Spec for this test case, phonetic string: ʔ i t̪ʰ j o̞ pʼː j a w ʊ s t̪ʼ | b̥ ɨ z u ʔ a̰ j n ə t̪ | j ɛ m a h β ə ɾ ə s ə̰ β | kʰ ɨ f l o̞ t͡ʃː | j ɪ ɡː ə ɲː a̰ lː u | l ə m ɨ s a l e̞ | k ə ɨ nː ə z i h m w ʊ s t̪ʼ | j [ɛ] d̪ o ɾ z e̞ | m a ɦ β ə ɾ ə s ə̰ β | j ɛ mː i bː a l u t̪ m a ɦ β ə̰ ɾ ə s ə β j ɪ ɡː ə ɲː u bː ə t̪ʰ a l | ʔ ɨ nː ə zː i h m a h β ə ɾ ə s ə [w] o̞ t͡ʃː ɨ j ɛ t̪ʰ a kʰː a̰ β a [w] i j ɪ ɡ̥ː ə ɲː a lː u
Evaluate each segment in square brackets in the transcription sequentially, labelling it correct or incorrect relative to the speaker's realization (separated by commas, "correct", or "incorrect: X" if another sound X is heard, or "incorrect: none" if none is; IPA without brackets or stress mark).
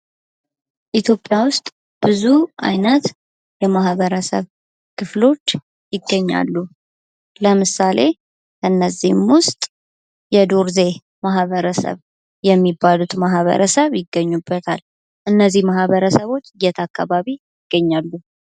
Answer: correct, incorrect: β, incorrect: β